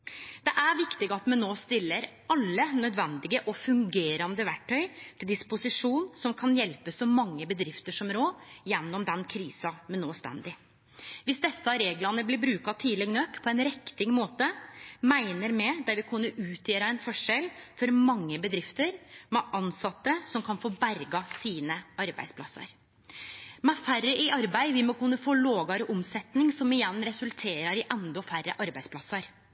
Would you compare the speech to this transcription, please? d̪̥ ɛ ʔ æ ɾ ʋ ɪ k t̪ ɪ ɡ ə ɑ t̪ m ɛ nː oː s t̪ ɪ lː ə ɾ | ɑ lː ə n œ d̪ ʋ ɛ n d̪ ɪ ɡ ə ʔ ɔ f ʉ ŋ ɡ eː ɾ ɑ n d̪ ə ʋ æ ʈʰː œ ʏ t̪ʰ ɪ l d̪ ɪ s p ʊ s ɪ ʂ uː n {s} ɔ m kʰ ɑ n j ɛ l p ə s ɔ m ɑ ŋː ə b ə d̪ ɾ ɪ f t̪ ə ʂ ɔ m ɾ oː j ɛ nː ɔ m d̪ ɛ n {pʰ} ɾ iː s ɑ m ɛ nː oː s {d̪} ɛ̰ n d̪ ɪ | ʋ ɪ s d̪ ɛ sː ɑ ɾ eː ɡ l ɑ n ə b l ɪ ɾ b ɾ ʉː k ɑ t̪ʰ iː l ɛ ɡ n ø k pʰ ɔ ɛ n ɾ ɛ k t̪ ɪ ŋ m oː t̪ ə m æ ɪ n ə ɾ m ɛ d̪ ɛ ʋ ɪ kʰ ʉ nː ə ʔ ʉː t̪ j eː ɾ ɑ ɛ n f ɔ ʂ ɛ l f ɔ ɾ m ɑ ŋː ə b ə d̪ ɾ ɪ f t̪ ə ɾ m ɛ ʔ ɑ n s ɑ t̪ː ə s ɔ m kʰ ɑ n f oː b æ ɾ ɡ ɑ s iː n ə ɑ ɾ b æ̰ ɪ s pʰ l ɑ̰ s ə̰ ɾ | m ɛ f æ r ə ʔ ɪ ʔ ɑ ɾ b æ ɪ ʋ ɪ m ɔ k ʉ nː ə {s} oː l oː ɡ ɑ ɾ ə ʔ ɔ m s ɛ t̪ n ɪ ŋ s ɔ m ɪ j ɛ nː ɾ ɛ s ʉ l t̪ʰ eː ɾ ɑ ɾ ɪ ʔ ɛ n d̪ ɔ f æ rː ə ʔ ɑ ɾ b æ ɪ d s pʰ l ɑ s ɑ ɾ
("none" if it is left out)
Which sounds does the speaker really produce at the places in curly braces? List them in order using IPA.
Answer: s, kʰ, t̪, f

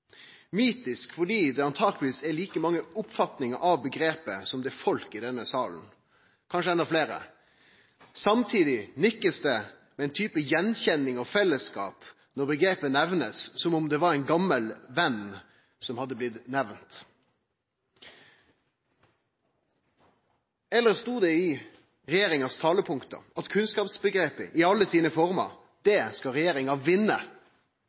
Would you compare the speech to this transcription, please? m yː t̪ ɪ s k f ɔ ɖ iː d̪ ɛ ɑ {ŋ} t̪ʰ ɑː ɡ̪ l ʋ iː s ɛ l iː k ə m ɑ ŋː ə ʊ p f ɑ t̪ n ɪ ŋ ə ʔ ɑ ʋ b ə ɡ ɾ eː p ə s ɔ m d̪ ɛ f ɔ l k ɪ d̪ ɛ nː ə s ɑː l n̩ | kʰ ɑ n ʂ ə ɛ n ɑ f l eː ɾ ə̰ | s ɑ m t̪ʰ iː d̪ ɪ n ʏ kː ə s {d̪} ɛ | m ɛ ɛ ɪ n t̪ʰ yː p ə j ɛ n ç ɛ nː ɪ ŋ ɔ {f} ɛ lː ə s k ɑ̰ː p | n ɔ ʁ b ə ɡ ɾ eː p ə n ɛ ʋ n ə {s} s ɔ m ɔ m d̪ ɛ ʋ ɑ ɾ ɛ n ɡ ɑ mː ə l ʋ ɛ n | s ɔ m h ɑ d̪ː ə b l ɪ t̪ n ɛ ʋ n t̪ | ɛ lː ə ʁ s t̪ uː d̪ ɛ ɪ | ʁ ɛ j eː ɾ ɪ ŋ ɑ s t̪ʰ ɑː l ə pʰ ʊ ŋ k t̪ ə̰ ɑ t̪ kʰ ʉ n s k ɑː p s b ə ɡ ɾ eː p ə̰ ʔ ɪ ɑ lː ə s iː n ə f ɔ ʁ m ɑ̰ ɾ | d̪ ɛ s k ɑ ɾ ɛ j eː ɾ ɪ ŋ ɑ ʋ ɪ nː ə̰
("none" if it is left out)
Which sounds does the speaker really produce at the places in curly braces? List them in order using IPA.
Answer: n, d̪, f, s

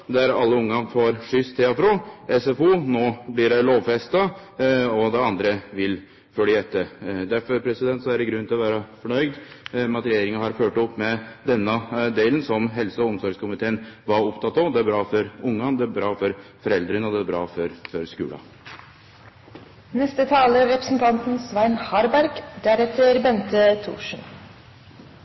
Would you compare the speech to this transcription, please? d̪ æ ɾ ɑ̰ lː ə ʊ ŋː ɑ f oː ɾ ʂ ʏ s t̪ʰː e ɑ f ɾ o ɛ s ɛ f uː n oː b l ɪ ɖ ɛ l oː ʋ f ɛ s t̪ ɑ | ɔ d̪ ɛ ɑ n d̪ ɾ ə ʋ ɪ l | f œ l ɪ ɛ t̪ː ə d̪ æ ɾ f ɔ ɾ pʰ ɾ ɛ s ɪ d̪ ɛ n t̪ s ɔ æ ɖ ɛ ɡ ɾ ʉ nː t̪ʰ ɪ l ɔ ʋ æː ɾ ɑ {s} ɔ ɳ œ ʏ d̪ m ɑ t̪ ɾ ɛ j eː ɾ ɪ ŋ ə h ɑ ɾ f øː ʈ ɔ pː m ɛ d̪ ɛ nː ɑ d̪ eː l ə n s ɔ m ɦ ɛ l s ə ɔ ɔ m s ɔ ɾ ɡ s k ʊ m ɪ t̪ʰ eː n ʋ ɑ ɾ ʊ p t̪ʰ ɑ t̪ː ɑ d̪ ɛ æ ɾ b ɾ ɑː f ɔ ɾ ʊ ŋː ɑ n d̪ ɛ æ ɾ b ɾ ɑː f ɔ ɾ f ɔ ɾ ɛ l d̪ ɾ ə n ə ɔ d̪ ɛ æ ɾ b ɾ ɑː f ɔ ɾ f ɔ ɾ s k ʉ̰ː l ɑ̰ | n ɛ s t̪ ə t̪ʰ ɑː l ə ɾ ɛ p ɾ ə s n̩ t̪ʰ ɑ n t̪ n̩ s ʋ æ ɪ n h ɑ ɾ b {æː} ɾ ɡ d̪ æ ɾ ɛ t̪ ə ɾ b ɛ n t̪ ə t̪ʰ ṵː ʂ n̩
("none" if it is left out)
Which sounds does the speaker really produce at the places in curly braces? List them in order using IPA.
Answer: f, æ

